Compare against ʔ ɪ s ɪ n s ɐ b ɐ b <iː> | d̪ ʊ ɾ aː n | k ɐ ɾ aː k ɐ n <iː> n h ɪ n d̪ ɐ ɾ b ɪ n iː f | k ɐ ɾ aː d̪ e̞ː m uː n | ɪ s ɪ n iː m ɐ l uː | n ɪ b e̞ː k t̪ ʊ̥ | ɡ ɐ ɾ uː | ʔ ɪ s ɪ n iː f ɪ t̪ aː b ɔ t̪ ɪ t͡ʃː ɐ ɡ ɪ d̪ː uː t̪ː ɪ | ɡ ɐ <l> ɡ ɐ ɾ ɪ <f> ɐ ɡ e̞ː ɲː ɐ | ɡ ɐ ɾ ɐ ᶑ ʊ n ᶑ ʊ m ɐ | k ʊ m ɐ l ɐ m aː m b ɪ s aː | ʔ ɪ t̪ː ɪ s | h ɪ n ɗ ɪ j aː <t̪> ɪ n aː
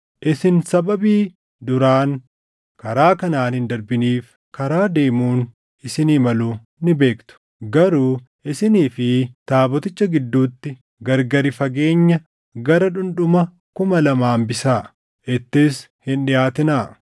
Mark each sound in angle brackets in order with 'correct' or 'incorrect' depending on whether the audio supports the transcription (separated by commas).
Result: correct, incorrect, incorrect, correct, correct